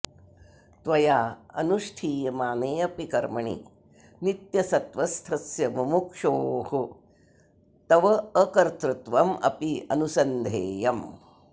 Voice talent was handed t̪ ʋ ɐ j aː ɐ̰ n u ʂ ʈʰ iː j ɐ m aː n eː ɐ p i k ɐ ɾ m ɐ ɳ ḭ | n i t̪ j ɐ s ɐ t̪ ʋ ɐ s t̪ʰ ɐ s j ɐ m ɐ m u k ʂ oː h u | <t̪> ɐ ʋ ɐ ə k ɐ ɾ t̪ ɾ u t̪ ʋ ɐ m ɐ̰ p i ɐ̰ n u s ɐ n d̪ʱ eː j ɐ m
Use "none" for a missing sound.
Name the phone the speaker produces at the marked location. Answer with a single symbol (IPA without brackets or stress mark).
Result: t̪